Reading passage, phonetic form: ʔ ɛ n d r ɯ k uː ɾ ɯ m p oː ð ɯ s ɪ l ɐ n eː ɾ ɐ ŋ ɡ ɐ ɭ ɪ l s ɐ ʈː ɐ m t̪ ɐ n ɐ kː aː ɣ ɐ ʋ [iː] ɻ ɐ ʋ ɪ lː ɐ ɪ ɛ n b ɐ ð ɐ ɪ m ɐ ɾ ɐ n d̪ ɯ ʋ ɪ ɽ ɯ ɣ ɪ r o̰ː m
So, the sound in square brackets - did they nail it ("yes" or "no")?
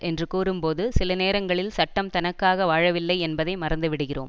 no